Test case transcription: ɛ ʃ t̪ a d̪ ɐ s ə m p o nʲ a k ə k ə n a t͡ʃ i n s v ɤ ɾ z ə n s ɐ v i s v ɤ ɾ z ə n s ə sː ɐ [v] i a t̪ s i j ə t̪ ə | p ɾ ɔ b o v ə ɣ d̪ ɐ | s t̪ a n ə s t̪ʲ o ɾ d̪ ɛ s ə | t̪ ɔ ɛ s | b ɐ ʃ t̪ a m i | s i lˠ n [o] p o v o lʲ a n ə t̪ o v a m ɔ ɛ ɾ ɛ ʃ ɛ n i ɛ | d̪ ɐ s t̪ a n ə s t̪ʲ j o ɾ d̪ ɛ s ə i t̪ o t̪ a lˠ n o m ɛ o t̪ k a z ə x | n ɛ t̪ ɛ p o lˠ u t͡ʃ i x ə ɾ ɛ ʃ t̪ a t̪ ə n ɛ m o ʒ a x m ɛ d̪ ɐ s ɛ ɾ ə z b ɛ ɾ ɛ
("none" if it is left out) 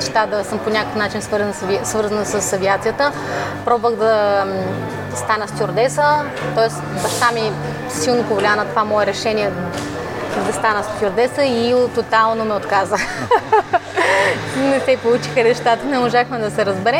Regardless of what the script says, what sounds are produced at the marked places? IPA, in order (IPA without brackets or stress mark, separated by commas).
v, o